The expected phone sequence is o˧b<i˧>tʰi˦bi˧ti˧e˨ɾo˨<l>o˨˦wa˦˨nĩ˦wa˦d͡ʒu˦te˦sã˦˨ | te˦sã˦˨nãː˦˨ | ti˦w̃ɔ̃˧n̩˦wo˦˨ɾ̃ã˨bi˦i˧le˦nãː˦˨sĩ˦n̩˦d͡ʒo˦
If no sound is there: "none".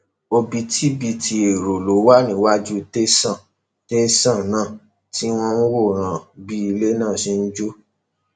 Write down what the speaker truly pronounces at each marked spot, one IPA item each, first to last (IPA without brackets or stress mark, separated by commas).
i˧, l